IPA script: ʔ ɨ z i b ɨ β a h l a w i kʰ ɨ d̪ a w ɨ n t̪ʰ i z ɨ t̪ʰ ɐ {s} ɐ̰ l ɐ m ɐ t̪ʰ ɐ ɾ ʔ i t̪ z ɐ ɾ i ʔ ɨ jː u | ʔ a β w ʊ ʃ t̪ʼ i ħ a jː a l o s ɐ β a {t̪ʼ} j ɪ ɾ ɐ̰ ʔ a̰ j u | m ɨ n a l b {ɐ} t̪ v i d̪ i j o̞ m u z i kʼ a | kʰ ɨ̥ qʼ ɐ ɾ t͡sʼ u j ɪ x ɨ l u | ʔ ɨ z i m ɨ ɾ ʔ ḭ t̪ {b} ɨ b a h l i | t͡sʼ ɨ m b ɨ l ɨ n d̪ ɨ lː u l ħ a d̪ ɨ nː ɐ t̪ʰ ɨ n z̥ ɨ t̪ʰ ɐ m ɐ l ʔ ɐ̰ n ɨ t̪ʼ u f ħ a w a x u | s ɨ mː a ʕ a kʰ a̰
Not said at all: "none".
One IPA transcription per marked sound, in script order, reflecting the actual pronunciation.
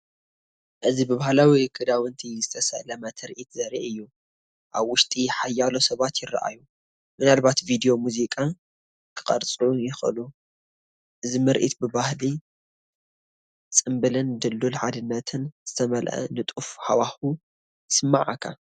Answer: s, t̪, a, b

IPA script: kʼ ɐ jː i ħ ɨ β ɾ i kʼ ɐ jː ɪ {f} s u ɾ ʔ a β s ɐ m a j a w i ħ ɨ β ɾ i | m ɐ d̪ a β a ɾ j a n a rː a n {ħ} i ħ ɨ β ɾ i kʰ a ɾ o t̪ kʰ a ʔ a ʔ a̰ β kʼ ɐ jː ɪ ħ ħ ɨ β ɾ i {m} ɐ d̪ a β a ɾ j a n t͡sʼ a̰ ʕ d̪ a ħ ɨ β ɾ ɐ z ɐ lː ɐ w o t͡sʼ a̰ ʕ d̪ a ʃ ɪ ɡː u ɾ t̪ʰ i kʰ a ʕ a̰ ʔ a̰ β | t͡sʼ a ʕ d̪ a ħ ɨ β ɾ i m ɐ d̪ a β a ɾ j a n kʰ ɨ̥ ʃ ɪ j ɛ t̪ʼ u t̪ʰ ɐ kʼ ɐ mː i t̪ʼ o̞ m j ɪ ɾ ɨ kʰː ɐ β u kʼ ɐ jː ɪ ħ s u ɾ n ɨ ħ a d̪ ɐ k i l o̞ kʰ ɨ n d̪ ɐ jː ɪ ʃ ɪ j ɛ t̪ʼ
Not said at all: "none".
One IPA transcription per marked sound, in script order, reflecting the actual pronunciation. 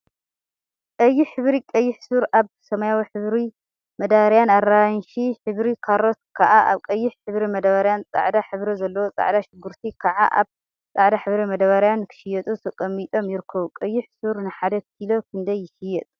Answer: ħ, ʃ, m

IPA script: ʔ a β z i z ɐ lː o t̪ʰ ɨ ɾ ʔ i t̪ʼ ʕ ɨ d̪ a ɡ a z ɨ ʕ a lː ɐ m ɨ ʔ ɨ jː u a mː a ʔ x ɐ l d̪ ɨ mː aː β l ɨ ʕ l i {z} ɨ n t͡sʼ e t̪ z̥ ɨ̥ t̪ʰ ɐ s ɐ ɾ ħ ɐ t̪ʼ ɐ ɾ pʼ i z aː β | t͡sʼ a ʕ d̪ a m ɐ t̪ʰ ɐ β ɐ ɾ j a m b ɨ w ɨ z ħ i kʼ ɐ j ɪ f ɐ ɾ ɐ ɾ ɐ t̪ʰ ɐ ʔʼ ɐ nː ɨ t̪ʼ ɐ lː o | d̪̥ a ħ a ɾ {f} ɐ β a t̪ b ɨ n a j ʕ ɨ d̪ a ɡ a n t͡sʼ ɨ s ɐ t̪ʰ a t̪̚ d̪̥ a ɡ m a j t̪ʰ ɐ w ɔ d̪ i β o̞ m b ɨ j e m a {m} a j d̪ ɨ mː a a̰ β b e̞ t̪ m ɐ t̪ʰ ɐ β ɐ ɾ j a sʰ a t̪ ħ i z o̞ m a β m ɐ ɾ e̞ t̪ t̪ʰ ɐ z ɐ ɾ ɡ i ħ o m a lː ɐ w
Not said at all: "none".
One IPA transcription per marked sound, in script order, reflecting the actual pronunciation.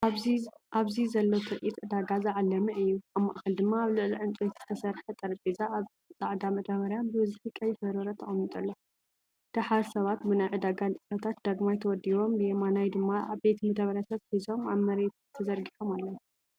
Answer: ʕ, s, n

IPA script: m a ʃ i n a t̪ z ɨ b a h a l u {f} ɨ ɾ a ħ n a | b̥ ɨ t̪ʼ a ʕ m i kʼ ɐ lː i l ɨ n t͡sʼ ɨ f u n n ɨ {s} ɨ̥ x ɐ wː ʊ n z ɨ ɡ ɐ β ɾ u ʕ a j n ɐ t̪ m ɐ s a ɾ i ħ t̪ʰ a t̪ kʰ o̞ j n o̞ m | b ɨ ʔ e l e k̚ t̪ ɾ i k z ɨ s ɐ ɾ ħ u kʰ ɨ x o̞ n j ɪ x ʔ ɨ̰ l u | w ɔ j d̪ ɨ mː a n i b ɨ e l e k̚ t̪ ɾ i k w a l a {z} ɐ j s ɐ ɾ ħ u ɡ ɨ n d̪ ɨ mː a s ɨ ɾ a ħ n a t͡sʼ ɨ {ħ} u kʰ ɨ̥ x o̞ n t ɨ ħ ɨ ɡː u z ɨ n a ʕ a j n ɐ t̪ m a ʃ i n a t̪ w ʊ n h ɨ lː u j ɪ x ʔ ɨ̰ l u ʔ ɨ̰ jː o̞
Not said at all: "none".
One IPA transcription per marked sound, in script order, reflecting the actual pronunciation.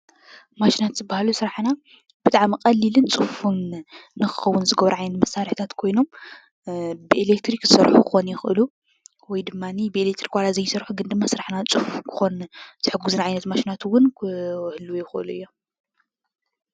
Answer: s, x, z, f

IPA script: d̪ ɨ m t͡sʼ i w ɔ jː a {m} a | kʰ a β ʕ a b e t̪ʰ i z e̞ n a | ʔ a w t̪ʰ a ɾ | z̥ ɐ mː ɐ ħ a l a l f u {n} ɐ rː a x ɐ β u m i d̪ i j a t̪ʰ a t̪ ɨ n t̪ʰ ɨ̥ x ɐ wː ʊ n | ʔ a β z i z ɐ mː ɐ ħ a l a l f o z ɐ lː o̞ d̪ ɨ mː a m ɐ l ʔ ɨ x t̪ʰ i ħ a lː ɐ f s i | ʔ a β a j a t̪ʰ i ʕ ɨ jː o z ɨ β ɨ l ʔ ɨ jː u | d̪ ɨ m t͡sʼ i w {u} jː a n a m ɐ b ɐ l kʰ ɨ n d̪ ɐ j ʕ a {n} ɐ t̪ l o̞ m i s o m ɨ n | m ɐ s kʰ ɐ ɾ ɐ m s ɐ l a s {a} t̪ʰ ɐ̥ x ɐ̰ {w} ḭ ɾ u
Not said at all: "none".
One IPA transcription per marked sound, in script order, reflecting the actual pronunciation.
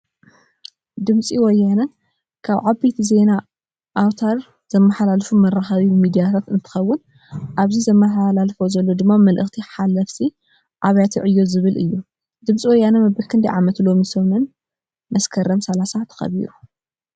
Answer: n, m, ɔ, m, a, β

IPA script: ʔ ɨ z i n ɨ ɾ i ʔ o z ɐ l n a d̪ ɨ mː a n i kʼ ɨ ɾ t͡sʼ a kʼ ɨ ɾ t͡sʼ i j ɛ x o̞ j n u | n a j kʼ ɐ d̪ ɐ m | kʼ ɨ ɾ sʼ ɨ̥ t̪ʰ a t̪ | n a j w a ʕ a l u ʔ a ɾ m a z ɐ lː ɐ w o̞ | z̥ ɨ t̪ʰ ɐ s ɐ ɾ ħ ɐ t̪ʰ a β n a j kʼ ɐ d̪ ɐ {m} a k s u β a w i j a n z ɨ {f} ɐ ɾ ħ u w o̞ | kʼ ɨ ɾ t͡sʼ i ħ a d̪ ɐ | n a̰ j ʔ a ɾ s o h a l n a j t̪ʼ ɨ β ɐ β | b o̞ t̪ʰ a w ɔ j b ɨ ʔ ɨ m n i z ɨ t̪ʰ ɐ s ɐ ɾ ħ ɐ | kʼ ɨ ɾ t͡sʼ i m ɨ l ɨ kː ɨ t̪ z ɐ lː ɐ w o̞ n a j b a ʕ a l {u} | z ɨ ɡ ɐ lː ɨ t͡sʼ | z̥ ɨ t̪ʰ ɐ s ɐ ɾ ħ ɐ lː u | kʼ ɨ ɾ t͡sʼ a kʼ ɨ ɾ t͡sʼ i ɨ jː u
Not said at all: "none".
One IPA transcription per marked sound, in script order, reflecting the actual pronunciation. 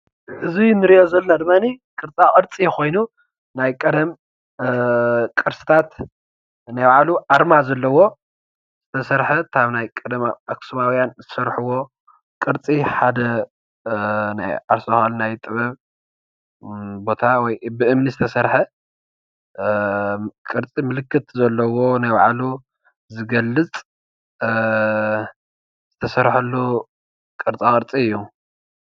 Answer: m, s, u

